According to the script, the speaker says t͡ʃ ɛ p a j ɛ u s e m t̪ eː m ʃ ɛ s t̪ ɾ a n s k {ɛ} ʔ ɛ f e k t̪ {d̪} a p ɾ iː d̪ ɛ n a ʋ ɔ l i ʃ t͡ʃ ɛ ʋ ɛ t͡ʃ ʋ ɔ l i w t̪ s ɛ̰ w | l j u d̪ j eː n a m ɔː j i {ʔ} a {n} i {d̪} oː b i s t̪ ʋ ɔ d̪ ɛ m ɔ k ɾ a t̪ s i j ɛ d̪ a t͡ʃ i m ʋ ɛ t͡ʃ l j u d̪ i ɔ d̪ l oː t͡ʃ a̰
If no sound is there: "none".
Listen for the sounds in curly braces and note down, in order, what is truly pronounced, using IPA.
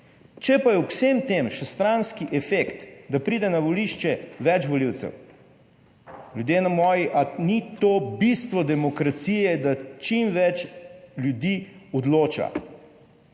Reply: i, d̪, ʔ, n, t̪

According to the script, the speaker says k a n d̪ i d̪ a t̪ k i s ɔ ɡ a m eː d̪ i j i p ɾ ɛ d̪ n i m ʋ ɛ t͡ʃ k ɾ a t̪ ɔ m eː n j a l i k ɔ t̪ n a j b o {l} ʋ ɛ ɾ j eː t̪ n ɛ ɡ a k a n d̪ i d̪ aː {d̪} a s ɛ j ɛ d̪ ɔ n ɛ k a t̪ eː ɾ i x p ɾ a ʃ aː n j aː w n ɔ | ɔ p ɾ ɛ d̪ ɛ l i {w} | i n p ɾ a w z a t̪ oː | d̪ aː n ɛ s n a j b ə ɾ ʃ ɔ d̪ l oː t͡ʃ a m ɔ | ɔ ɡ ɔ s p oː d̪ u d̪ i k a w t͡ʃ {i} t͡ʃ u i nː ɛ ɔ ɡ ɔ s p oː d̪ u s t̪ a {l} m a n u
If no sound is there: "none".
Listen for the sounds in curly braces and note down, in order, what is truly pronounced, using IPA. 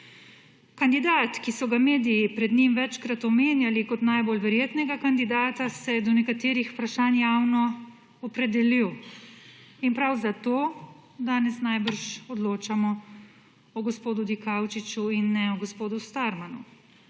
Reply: l, t̪, w, i, ɾ

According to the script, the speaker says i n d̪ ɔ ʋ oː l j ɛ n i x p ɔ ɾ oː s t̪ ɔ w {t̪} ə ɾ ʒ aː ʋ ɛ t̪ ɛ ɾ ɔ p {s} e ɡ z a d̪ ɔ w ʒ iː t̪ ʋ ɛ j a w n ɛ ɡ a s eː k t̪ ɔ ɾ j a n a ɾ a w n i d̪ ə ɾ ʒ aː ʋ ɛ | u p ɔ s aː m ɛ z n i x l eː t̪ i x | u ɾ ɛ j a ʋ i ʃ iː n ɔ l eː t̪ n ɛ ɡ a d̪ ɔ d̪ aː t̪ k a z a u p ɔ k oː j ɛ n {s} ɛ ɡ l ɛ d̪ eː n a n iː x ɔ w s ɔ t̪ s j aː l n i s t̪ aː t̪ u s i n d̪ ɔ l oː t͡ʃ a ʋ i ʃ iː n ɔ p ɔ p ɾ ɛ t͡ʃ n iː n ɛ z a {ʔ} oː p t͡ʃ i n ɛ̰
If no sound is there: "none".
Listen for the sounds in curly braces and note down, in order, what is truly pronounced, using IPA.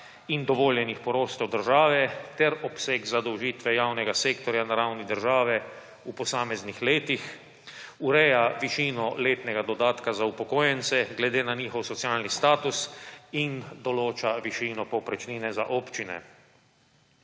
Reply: d̪, s, s, ʔ

